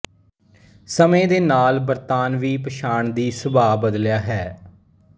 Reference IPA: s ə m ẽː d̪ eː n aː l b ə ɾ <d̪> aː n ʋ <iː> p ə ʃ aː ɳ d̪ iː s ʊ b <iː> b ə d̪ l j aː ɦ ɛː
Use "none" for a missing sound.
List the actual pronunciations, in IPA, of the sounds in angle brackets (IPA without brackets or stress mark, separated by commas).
t̪, iː, aː